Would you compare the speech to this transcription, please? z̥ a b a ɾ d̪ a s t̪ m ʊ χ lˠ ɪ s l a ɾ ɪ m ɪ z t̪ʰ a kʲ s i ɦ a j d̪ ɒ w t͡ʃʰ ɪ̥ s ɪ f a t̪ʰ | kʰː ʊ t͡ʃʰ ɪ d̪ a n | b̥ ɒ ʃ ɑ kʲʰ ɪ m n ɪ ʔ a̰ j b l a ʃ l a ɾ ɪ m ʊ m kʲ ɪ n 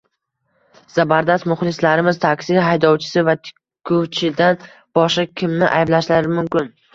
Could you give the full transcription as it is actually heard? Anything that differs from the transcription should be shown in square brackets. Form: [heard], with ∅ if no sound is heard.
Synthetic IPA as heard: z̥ a b a ɾ d̪ a s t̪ m ʊ χ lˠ ɪ s l a ɾ ɪ m ɪ z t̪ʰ a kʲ s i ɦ a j d̪ ɒ w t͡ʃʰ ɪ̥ s ɪ [v] a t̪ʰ | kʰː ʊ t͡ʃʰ ɪ d̪ a n | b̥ ɒ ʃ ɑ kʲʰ ɪ m n ɪ ʔ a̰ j b l a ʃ l a ɾ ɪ m ʊ m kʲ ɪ n